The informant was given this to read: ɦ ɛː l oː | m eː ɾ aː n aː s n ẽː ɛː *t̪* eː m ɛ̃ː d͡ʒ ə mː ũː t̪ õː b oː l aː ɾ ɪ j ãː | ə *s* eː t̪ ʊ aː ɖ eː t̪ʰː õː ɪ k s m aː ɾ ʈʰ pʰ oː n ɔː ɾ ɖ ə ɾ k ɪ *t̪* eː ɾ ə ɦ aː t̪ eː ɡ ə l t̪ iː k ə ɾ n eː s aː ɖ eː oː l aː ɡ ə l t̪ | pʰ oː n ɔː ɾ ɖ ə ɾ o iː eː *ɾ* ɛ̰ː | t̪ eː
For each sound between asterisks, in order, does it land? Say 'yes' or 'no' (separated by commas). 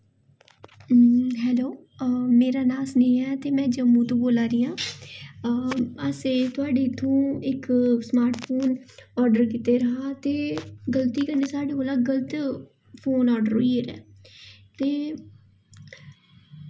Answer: yes, yes, yes, yes